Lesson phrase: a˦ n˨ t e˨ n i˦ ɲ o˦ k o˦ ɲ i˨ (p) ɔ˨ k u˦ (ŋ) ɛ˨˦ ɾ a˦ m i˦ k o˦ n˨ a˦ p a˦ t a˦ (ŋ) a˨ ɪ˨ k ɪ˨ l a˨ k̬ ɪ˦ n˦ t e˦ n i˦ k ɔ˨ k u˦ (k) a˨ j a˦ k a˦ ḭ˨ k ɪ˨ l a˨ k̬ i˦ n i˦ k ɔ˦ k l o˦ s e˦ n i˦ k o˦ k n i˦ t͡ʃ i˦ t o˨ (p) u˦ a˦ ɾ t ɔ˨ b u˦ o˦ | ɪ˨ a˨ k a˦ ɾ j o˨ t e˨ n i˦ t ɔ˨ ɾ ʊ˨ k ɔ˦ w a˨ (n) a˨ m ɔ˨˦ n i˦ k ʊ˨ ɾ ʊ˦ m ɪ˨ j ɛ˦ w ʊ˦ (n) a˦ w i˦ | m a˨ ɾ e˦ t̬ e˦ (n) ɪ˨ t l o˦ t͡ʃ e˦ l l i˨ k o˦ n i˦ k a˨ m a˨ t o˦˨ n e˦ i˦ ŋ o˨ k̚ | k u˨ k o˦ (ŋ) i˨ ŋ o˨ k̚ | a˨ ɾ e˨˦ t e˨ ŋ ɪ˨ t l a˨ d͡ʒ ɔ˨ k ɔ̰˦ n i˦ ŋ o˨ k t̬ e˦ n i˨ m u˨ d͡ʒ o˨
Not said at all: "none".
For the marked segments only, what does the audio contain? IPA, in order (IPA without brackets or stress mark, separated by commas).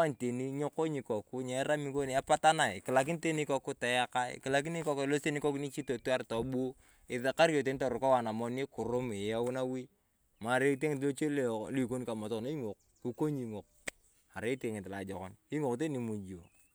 k, ɲ, n, t, t, n, n, ŋ, ɲ